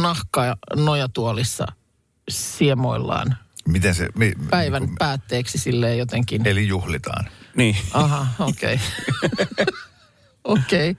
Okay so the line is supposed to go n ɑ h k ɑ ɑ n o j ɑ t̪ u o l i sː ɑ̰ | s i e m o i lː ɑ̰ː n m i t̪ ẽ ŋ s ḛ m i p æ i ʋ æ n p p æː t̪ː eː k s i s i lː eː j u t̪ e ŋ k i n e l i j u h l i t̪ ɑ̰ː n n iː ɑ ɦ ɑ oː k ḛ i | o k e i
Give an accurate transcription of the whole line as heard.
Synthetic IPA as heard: n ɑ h k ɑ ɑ n o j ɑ t̪ u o l i sː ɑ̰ | s i e m o i lː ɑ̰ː n m i t̪ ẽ n s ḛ m i p æ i ʋ æ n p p æː t̪ː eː k s i s i lː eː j o t̪ e ŋ k i n e l i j u h l i t̪ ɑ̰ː n n iː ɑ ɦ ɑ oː k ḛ i | o k e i